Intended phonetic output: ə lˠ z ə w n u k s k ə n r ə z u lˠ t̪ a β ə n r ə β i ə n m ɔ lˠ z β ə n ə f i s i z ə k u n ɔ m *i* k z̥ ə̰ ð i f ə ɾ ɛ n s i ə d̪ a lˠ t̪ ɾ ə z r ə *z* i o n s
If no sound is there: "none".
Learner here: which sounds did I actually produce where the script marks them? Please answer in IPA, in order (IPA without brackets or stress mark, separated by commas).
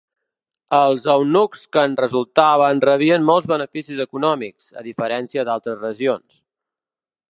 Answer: i, ʒ